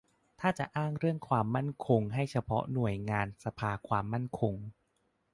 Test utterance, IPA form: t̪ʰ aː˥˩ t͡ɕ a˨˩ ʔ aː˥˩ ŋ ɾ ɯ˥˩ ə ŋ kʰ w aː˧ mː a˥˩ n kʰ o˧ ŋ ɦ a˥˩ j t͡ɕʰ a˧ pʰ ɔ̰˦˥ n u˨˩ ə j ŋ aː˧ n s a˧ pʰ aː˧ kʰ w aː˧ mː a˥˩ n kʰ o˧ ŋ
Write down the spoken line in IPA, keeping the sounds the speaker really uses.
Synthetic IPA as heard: t̪ʰ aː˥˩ t͡ɕ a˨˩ ʔ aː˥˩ ŋ ɾ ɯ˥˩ ə ŋ kʰ w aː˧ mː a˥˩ n kʰ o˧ ŋ ɦ a˥˩ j t͡ɕʰ a˧ pʰ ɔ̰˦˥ n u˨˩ ə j ŋ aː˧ n s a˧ pʰ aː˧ kʰ w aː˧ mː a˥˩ n kʰ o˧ ŋ